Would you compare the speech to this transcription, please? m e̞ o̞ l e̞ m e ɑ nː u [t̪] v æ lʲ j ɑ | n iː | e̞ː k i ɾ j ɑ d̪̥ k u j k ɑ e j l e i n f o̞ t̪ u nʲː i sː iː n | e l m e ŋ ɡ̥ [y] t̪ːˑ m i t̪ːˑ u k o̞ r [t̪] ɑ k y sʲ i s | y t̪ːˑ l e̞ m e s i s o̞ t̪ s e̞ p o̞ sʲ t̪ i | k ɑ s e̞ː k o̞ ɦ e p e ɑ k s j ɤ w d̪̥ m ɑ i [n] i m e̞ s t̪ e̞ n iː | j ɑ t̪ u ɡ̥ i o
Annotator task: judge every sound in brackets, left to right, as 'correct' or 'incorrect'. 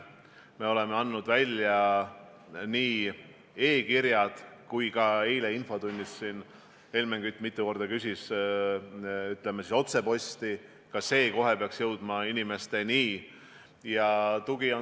incorrect, correct, incorrect, correct

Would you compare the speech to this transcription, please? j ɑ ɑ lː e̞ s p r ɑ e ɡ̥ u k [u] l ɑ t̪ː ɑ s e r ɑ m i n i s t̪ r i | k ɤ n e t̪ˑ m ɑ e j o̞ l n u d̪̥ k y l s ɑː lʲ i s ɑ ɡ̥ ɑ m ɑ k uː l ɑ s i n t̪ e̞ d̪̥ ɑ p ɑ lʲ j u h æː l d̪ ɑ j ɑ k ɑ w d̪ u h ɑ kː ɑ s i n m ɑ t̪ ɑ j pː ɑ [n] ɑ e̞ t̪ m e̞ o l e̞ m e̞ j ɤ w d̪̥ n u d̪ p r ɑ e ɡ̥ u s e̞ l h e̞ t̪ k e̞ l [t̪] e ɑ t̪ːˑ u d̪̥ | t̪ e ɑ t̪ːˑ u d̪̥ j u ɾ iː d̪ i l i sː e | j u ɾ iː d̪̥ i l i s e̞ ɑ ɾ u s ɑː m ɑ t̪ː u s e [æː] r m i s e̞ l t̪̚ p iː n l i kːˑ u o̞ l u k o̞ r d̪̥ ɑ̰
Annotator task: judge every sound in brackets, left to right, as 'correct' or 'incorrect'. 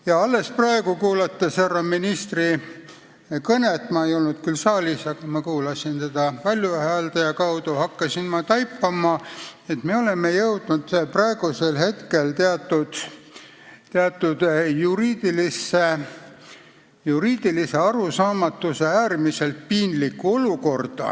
incorrect, incorrect, correct, correct

